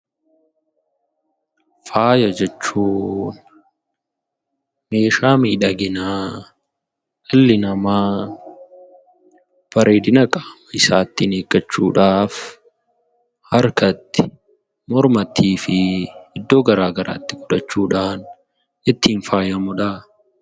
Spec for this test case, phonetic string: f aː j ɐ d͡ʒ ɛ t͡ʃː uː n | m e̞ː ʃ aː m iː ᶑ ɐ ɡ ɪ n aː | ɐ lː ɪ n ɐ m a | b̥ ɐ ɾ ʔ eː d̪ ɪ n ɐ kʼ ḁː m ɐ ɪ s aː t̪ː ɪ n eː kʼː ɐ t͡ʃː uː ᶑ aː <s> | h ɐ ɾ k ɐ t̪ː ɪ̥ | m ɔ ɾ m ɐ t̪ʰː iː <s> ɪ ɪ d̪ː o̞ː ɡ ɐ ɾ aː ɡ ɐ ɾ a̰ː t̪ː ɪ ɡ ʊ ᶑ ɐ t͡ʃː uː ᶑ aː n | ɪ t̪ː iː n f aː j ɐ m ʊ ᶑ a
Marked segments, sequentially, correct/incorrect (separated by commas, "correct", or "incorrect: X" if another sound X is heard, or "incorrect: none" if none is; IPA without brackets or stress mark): incorrect: f, incorrect: f